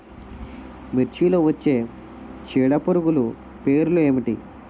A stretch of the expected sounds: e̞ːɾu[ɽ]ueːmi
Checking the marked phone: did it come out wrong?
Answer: yes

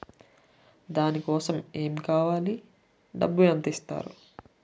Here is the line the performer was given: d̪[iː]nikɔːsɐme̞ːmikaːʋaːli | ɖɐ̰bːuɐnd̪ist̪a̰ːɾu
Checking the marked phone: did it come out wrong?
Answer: yes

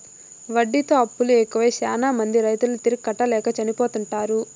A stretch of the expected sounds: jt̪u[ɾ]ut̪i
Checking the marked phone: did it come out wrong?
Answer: yes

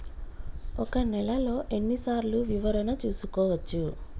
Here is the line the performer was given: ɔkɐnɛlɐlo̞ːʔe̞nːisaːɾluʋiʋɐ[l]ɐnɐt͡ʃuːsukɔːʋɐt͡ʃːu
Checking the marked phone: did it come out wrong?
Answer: yes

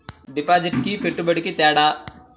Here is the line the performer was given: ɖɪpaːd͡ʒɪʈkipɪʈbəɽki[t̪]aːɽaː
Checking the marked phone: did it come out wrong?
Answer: no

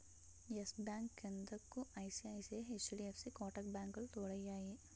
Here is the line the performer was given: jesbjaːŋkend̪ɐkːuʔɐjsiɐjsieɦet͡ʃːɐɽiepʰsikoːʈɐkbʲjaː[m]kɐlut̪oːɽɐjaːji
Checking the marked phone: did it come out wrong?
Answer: yes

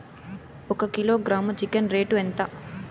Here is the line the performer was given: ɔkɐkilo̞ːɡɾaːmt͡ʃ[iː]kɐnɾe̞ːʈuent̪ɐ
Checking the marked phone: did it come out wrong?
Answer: yes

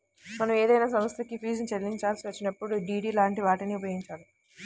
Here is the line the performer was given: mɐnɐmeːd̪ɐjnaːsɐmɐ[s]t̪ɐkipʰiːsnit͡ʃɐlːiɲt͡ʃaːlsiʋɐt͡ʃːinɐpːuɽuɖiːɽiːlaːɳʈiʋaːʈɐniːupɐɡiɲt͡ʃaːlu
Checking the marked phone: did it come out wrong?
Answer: no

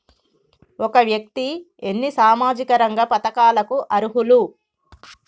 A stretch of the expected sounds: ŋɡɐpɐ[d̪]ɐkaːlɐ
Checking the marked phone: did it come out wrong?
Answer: yes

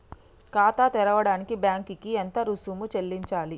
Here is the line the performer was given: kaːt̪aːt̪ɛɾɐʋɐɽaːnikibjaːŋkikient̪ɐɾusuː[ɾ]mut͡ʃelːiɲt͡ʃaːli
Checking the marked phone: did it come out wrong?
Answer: yes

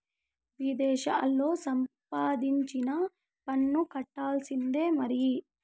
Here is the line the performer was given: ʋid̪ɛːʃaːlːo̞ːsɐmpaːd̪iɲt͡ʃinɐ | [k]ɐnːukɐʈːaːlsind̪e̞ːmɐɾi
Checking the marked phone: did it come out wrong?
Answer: yes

